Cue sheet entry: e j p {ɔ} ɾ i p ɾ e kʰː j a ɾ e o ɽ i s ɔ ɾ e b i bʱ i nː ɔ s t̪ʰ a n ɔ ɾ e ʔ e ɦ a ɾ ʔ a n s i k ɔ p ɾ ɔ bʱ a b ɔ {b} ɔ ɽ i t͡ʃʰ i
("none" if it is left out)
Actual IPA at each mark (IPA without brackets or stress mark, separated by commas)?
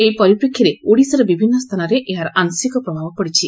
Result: ɔ, p